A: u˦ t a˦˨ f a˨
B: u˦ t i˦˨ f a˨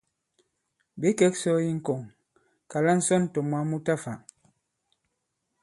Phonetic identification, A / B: A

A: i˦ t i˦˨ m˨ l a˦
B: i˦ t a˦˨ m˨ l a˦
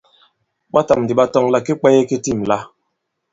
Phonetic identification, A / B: A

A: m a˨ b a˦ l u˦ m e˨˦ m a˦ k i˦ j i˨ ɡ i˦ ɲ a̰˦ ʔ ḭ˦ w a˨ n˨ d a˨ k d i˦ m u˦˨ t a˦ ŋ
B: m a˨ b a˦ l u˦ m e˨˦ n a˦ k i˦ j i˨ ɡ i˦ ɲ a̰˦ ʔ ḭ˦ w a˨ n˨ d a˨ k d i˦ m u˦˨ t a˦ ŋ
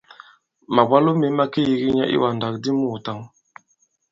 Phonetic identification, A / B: A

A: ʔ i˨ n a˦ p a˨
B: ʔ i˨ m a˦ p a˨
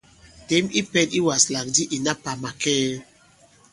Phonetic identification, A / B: A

